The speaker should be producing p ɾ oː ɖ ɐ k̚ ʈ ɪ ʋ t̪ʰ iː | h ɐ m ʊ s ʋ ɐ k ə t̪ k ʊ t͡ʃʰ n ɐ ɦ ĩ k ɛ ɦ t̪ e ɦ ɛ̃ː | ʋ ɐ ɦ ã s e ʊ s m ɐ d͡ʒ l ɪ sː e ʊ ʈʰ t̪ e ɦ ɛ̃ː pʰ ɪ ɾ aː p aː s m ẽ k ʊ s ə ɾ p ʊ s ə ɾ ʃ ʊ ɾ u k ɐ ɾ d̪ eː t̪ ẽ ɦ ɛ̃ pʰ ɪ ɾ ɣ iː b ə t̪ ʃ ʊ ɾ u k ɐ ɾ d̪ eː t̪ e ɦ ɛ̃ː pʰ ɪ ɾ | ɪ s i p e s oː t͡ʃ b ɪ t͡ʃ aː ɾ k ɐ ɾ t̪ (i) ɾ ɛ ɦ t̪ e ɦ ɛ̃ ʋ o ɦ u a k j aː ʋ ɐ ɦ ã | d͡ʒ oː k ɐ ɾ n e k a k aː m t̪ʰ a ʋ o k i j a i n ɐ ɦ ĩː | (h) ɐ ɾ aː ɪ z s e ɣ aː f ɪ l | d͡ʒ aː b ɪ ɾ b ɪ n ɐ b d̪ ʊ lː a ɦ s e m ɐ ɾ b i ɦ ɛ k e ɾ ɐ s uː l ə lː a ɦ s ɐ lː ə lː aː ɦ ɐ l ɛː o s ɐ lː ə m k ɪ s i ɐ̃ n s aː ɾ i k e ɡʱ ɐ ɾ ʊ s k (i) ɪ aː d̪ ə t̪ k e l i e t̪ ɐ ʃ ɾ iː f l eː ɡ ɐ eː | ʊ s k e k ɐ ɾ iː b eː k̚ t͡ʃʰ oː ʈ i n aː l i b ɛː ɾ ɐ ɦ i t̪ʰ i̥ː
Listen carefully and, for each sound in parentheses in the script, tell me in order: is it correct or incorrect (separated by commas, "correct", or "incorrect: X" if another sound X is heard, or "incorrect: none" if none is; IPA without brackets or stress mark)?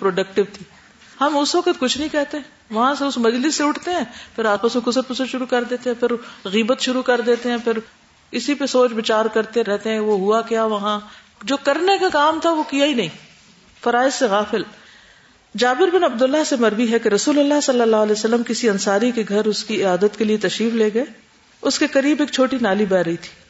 incorrect: e, incorrect: f, correct